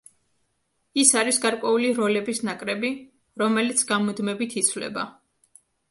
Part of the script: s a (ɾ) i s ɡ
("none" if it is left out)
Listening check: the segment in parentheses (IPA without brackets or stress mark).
ɾ